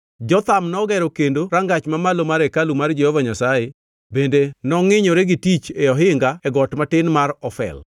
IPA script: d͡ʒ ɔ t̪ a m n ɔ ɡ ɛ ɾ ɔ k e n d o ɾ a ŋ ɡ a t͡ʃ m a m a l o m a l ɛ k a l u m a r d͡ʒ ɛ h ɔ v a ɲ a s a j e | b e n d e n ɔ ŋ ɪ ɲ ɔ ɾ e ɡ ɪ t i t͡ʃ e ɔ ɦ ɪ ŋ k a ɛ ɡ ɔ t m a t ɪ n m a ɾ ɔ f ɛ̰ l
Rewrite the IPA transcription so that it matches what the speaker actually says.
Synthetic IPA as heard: d͡ʒ ɔ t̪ a m n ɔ ɡ ɛ ɾ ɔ k e n d o ɾ a ŋ ɡ a t͡ʃ m a m a l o m a ɾ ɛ k a l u m a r d͡ʒ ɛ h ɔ v a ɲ a s a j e | b e n d e n ɔ ŋ ɪ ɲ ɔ ɾ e ɡ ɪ t i t͡ʃ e ɔ ɦ ɪ ŋ ɡ a ɛ ɡ ɔ t m a t ɪ n m a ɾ ɔ f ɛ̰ l